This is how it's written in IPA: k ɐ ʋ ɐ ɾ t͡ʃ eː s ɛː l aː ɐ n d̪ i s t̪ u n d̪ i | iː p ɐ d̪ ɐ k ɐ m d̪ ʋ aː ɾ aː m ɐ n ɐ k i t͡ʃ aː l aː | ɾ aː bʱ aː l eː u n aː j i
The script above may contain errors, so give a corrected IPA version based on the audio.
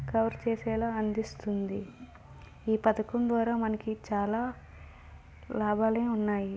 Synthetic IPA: k ɐ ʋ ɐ ɾ t͡ʃ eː s ɛː l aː ɐ n d̪ i s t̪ u n d̪ i | iː p ɐ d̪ ɐ k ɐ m d̪ ʋ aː ɾ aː m ɐ n ɐ k i t͡ʃ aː l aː | l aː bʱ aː l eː u nː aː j i